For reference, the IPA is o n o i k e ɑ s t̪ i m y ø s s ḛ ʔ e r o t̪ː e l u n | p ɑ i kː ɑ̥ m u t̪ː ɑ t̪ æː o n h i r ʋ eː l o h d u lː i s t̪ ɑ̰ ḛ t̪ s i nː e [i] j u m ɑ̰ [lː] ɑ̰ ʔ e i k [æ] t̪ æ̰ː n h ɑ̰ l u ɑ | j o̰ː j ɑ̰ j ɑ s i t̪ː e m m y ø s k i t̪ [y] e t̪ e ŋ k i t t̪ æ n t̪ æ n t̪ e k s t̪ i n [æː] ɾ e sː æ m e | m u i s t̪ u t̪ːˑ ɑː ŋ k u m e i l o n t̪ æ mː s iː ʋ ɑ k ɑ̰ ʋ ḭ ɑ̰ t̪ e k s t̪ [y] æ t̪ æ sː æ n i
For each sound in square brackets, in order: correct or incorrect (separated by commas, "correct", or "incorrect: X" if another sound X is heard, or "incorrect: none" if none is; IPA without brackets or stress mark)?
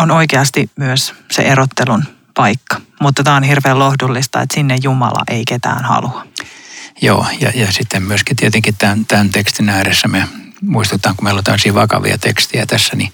incorrect: j, incorrect: l, incorrect: e, incorrect: i, correct, incorrect: i